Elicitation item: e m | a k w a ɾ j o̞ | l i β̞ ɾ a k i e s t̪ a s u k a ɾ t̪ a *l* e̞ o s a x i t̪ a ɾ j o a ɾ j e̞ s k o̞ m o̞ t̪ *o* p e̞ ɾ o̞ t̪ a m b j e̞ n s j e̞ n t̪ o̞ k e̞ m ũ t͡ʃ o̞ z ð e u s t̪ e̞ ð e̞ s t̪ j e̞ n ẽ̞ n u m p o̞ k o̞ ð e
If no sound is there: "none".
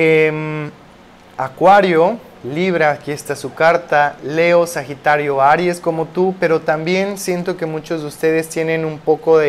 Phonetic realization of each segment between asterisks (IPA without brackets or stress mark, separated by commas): l, u